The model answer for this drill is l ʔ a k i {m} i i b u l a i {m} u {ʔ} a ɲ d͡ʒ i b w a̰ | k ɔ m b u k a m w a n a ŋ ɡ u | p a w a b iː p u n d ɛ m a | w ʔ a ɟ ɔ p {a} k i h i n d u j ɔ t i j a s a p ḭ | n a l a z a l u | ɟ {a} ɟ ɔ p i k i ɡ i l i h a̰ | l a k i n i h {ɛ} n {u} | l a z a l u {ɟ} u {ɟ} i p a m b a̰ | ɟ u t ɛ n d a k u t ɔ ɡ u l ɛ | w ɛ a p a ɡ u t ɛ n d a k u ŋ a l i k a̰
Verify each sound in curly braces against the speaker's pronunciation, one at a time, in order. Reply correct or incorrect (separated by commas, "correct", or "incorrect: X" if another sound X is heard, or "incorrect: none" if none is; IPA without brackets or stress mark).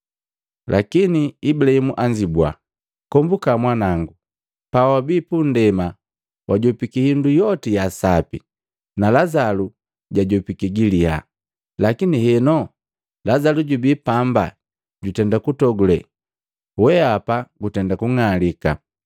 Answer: incorrect: n, correct, correct, incorrect: i, correct, correct, incorrect: ɔ, correct, incorrect: b